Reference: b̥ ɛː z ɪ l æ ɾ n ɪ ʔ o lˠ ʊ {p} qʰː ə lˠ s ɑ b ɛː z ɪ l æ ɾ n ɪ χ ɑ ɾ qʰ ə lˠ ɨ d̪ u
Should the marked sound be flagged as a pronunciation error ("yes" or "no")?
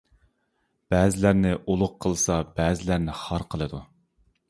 yes